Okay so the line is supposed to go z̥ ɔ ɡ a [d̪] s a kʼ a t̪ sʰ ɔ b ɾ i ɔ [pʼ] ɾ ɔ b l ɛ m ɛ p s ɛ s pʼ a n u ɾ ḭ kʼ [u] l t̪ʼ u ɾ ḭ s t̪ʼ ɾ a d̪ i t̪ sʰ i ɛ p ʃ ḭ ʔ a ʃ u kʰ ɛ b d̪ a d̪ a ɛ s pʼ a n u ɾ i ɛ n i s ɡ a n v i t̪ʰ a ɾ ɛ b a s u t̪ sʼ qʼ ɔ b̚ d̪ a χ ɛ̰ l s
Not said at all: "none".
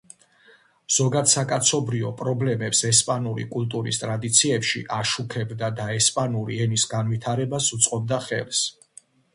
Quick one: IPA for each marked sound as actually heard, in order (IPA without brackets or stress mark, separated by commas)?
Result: d̪, pʼ, u